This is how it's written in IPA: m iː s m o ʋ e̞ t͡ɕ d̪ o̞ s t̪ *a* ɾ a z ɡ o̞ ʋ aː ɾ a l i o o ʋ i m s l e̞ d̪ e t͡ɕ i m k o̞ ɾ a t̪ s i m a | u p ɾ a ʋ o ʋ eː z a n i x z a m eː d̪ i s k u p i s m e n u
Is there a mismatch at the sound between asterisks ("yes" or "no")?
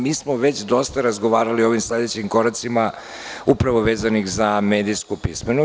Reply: no